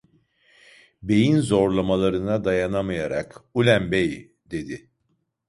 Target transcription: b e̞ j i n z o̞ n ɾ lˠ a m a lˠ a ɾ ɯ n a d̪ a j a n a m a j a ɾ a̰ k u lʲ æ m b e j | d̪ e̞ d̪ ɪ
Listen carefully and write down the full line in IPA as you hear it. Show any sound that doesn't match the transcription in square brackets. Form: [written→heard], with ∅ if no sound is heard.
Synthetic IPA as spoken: b e̞ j i n z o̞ [n→∅] ɾ lˠ a m a lˠ a ɾ ɯ n a d̪ a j a n a m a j a ɾ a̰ k u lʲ æ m b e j | d̪ e̞ d̪ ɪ